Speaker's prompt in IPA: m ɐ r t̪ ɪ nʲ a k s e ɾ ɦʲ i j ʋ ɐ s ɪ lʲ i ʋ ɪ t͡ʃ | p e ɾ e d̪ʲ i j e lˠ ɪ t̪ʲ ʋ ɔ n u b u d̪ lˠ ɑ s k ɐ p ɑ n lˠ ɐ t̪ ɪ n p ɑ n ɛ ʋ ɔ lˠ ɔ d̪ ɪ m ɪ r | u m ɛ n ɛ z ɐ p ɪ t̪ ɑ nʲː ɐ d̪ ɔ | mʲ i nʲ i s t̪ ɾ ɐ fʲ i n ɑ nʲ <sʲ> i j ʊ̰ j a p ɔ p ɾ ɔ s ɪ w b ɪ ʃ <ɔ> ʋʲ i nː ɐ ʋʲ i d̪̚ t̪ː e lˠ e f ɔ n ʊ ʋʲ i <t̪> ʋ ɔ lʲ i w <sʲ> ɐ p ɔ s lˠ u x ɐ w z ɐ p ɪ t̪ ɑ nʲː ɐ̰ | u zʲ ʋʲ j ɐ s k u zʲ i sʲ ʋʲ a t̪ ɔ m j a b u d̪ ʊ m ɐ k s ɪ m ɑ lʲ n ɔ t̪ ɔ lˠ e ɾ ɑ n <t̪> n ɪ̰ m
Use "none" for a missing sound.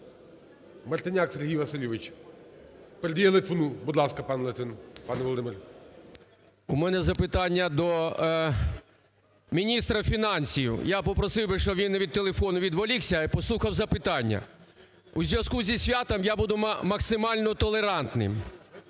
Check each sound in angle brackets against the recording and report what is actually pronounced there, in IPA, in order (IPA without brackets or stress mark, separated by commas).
sʲ, ɔ, d̪, sʲ, t̪